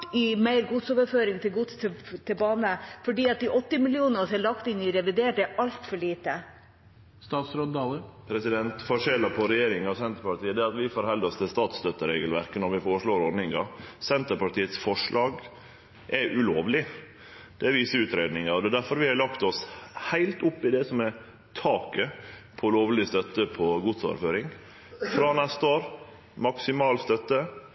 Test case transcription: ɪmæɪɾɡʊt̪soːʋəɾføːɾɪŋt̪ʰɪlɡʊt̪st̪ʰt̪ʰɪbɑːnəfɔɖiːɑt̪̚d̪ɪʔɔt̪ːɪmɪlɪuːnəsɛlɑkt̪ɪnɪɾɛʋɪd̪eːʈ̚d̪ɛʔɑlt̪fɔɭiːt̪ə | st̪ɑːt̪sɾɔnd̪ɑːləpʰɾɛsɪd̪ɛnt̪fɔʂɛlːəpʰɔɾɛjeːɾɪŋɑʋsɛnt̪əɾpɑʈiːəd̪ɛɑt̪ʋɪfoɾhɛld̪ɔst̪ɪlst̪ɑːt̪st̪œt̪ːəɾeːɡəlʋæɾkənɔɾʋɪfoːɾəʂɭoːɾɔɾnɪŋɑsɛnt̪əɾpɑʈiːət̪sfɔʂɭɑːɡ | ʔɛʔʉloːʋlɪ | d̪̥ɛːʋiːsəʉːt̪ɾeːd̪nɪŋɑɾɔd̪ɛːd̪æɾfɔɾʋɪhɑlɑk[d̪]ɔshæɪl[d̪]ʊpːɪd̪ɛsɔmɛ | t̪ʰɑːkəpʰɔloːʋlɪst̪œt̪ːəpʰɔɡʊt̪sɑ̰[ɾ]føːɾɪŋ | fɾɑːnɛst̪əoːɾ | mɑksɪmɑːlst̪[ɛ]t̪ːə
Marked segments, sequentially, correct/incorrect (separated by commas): incorrect, incorrect, correct, incorrect